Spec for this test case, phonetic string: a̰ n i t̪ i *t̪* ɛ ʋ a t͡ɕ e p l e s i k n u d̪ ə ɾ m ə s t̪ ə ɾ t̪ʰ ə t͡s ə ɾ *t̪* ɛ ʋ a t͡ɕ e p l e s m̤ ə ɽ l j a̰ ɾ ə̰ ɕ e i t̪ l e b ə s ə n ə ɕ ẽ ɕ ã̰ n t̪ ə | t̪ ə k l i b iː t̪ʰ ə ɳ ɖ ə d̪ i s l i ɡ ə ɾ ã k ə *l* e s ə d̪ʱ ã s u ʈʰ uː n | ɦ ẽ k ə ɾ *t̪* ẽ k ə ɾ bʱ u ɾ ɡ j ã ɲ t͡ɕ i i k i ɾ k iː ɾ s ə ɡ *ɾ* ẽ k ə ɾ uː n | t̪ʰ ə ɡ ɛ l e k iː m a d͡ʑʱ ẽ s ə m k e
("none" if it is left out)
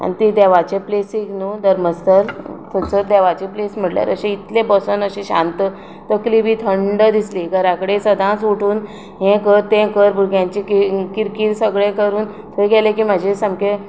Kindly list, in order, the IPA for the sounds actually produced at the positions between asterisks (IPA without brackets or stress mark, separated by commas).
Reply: d̪, d̪, ɽ, t̪, ɭ